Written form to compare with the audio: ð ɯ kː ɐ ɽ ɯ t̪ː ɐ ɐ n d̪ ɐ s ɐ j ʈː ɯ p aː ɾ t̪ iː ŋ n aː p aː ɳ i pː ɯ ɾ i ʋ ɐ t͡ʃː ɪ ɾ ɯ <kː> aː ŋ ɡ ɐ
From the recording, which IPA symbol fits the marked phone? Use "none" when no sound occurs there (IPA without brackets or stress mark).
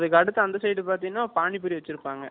pː